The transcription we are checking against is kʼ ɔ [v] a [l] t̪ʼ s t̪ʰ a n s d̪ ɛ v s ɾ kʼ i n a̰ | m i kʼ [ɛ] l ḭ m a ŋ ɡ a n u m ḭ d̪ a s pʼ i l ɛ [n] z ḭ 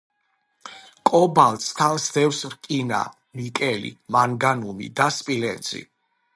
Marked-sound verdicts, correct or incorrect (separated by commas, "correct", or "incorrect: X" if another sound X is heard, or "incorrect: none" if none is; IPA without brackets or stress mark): incorrect: b, correct, correct, correct